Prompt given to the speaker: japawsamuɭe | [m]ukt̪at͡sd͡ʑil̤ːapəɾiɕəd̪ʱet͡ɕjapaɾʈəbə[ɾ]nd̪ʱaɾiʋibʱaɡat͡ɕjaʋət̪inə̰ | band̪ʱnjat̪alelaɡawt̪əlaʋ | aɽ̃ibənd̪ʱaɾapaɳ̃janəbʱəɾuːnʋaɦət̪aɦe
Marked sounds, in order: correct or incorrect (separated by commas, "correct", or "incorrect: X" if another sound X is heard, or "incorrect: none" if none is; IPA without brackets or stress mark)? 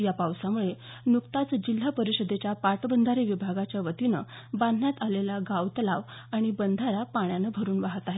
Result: incorrect: n, incorrect: none